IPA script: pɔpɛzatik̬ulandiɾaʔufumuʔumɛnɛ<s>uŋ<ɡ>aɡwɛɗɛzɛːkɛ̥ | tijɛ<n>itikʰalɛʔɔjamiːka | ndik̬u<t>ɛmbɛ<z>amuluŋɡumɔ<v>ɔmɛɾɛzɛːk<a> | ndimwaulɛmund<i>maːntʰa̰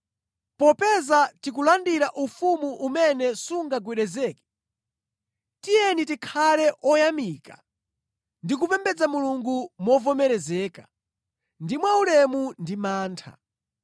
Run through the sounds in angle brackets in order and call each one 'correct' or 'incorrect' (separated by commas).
correct, correct, correct, incorrect, incorrect, correct, correct, correct